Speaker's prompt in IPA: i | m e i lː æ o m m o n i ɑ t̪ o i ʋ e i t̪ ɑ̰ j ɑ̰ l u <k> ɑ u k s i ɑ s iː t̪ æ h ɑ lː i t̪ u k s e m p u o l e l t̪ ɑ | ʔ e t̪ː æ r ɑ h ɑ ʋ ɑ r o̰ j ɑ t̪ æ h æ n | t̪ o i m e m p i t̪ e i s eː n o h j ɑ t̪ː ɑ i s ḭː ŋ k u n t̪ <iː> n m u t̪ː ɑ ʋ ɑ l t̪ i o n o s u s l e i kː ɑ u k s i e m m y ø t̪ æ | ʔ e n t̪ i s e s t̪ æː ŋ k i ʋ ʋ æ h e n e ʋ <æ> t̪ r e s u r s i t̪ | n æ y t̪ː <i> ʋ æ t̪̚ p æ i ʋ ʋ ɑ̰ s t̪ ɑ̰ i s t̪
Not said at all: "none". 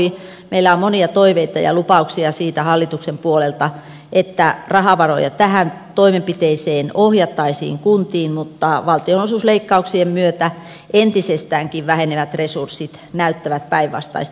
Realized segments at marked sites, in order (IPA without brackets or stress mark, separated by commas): p, iː, æ, æ